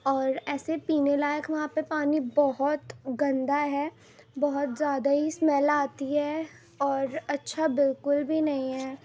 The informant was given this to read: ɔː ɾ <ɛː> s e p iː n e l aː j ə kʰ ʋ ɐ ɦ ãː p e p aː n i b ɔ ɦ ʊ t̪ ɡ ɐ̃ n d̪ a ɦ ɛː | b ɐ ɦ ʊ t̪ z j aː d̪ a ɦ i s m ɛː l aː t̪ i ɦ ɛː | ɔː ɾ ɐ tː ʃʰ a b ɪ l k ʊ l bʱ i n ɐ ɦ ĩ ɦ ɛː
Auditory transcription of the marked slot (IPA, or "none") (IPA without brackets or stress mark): ɛː